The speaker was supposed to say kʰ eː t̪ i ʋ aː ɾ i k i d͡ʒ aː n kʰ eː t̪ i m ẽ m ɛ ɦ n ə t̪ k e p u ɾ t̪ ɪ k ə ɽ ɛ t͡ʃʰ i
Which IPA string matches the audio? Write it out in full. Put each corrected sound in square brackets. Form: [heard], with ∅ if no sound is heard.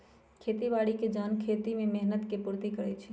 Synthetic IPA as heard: kʰ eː t̪ i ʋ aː [ɽ] i k [e] d͡ʒ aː n kʰ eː t̪ i m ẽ m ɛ ɦ n ə t̪ k e p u ɾ t̪ [i] k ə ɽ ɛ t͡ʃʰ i